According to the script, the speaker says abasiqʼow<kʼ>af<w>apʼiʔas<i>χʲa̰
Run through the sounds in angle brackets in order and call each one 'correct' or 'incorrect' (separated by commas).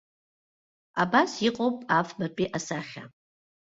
incorrect, incorrect, incorrect